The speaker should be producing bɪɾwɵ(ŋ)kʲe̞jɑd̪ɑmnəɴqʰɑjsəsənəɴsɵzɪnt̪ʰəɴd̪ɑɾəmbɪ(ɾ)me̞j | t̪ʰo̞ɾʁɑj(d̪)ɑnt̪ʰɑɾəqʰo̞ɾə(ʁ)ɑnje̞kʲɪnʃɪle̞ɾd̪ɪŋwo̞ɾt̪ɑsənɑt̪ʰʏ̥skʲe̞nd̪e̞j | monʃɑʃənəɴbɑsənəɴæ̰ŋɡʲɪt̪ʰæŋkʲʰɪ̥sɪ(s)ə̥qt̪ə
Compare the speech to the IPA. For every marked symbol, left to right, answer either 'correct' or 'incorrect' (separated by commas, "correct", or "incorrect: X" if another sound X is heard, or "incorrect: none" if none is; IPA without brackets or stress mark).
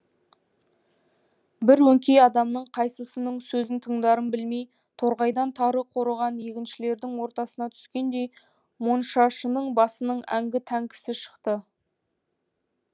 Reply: correct, incorrect: l, correct, correct, incorrect: ʃ